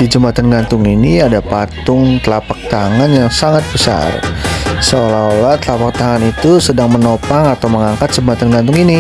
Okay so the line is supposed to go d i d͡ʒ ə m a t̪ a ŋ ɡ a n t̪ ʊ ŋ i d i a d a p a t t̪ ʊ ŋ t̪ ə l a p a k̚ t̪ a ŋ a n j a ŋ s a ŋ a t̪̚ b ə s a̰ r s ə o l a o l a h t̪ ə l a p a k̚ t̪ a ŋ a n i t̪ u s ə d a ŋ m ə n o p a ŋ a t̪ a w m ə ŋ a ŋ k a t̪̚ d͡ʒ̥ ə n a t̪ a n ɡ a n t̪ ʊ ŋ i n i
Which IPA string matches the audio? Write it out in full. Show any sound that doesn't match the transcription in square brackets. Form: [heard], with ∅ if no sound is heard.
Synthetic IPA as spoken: d i d͡ʒ ə m a t̪ a [n] ɡ a n t̪ ʊ ŋ i [n] i a d a p a t t̪ ʊ ŋ t̪ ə l a p a k̚ t̪ a ŋ a n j a ŋ s a ŋ a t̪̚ b ə s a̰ r s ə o l a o l a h t̪ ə l a p a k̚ t̪ a ŋ a n i t̪ u s ə d a ŋ m ə n o p a ŋ a t̪ a w m ə ŋ a ŋ k a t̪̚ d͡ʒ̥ ə [m] a t̪ a n ɡ a n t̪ ʊ ŋ i n i